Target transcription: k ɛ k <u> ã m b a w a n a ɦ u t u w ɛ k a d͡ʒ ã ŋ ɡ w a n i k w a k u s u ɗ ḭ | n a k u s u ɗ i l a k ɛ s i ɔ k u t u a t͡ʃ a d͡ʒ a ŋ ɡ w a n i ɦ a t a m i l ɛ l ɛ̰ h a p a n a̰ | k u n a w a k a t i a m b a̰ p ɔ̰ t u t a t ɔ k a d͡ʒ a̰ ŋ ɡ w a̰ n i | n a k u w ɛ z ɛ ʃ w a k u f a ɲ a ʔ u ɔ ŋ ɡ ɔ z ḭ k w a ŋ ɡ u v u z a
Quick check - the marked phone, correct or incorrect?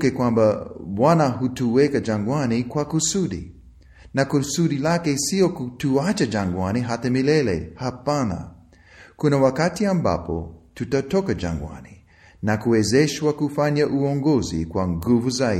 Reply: incorrect